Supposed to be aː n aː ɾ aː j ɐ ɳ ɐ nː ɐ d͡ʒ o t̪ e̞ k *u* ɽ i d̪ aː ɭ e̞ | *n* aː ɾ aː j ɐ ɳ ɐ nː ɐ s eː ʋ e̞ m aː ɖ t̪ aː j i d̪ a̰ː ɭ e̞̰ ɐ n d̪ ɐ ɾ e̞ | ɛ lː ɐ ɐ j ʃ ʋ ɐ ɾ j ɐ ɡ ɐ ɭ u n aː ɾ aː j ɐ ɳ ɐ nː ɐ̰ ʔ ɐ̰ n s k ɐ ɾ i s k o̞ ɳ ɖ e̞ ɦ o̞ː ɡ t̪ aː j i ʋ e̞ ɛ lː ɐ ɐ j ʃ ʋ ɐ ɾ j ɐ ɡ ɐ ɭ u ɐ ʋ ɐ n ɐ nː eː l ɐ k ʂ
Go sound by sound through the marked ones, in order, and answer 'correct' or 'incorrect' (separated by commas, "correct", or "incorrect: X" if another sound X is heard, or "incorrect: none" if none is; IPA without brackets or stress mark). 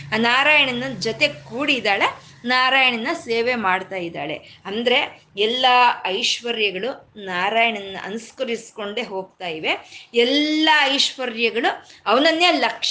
incorrect: uː, correct